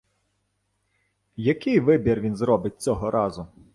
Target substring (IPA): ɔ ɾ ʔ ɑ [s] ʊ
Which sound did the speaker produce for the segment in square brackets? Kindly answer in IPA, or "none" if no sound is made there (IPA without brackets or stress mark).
z